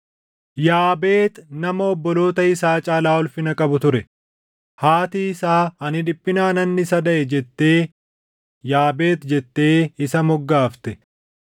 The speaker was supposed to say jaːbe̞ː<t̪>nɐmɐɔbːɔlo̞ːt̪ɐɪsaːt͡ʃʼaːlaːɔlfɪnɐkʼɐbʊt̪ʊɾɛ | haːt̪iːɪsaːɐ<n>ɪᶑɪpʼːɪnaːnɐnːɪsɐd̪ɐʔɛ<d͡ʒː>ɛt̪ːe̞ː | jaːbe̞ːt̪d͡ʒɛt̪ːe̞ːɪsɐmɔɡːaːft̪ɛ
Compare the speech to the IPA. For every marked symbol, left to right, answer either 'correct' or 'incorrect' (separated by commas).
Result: correct, correct, incorrect